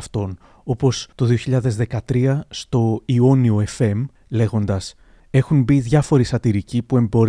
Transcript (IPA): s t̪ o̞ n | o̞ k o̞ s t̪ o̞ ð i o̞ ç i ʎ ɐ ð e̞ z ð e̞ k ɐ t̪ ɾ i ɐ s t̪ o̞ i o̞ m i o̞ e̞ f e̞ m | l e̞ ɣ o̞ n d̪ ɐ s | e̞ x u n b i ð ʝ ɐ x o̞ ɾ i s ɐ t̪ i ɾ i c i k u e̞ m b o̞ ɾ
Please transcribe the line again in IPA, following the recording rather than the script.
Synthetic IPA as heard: f t̪ o̞ n | o̞ p o̞ s t̪ o̞ ð i o̞ ç i ʎ ɐ ð e̞ z ð e̞ k ɐ t̪ ɾ i ɐ s t̪ o̞ i o̞ n i o̞ e̞ f e̞ m | l e̞ ɣ o̞ n d̪ ɐ s | e̞ x u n b i ð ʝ ɐ f o̞ ɾ i s ɐ t̪ i ɾ i c i p u e̞ m b o̞ ɾ